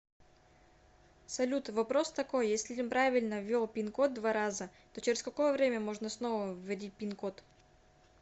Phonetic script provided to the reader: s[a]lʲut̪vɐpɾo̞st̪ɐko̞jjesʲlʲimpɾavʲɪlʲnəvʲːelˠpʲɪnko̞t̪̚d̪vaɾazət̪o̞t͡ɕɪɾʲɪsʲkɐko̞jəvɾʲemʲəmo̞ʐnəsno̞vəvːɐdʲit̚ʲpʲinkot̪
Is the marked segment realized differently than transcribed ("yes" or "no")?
yes